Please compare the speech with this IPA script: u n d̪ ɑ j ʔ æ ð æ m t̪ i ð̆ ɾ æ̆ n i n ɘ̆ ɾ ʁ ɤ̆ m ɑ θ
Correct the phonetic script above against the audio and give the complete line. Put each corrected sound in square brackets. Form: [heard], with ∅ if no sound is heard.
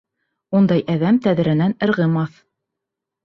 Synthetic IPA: u n d̪ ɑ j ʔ æ ð æ m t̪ [æ] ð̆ ɾ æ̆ n [æ] n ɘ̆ ɾ ʁ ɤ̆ m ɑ θ